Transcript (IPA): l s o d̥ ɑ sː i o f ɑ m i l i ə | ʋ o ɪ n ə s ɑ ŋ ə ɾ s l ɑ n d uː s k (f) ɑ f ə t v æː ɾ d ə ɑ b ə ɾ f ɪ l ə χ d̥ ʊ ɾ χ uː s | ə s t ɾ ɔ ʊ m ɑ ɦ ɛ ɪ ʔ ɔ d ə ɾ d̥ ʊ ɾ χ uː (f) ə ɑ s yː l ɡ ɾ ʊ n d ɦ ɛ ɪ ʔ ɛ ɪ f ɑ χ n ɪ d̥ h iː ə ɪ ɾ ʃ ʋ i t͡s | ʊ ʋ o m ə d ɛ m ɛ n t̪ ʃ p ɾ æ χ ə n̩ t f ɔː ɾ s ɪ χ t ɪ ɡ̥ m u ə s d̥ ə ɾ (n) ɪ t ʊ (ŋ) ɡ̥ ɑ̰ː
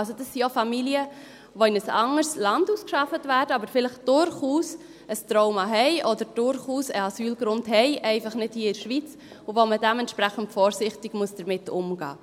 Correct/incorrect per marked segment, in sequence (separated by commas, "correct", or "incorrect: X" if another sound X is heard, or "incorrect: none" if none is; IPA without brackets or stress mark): incorrect: ʃ, incorrect: s, incorrect: m, incorrect: m